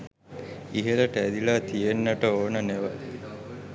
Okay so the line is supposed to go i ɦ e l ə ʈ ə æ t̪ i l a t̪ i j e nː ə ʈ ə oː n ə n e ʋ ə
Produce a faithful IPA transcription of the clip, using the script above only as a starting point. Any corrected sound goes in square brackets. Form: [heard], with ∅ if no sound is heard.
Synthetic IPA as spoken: i ɦ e l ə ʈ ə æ [d̪] i l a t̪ i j e nː ə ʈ ə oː n ə n e ʋ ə